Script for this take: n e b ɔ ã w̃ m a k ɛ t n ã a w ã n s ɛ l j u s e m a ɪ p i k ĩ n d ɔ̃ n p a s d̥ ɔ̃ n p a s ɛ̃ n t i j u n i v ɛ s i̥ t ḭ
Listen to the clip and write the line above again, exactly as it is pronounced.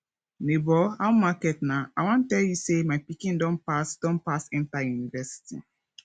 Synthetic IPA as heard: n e b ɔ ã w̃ m a k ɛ t n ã a w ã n t ɛ l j u s e m a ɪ p i k ĩ n d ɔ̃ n p a s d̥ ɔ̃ n p a s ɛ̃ n t a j u n i v ɛ s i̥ t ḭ

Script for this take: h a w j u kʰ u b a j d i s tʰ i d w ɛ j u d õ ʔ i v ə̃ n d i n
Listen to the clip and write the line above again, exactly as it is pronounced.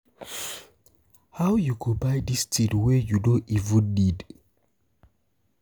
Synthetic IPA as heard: h a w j u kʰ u b a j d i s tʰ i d w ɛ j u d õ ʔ i v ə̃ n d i d

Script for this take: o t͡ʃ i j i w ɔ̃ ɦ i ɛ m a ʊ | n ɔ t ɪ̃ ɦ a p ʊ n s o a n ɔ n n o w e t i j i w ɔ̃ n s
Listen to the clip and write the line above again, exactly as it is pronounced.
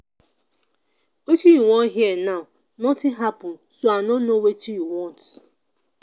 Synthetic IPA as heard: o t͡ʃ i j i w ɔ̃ ɦ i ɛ n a ʊ | n ɔ t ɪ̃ ɦ a p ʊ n s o a n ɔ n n o w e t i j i w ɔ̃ n t

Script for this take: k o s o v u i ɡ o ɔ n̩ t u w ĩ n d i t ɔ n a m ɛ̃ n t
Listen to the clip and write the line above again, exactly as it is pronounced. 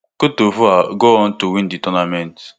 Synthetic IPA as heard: k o t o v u a ɡ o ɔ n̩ t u w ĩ n d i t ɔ n a m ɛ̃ n t

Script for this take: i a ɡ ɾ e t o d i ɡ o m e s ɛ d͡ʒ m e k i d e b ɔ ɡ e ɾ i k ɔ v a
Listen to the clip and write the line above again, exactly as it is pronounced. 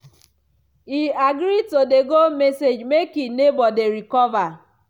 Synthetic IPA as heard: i a ɡ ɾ i t o d e ɡ o m e s e d͡ʒ m e k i n e b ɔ d e ɾ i k ɔ v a

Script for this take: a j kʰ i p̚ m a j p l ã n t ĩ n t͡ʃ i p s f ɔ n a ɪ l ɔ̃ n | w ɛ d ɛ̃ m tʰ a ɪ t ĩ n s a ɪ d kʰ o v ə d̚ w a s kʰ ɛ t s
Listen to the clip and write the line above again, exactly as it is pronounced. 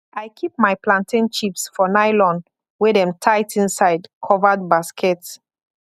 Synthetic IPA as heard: a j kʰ i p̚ m a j p l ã n t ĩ n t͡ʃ i p s f ɔ n a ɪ l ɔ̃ n | w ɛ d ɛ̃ m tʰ a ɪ t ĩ n s a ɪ d kʰ ɔ v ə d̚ b a s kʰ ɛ t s

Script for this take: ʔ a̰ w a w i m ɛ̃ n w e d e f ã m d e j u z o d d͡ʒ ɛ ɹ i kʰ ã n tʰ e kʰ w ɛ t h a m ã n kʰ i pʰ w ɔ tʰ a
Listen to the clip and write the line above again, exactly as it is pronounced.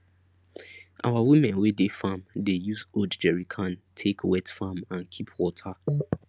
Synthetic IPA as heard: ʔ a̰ w a w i m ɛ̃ n w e d e f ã m d e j u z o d d͡ʒ ɛ ɹ i kʰ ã n tʰ e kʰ w ɛ t f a m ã n kʰ i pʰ w ɔ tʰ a

